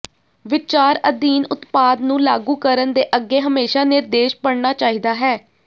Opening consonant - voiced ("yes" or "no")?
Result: yes